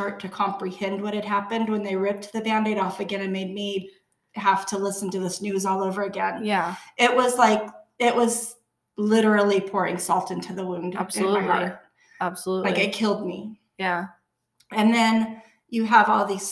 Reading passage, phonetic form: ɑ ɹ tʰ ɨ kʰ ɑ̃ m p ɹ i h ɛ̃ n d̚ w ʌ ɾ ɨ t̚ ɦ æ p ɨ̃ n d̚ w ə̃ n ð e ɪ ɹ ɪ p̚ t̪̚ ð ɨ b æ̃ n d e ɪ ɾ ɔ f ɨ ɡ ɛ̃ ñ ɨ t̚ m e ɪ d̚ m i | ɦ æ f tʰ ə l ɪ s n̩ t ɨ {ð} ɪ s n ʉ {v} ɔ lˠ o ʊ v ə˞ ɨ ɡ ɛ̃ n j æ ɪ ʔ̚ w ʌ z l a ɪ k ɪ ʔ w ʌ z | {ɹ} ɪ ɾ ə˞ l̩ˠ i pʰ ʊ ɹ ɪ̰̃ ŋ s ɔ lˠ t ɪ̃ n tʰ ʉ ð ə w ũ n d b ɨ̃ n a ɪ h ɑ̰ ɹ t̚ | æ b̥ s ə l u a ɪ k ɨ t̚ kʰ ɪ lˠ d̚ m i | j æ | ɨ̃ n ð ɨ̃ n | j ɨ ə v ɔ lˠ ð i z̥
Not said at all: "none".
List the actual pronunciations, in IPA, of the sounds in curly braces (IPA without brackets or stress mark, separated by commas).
ð, z, l